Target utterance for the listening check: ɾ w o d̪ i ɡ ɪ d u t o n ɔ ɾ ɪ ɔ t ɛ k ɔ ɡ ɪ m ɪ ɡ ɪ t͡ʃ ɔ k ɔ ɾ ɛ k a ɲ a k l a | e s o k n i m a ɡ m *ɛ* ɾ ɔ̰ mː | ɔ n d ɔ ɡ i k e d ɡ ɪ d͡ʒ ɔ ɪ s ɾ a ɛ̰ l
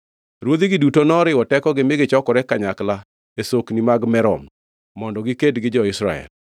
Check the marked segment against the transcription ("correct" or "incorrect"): correct